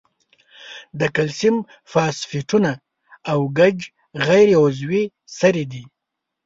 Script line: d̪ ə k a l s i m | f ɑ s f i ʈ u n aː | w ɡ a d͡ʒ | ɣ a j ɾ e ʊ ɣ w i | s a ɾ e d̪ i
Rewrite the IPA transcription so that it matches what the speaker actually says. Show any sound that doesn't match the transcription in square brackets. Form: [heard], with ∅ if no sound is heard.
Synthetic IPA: d̪ ə k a l s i m | f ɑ s f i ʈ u n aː | w ɡ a d͡ʒ | ɣ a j ɾ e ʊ [z] w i | s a ɾ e d̪ i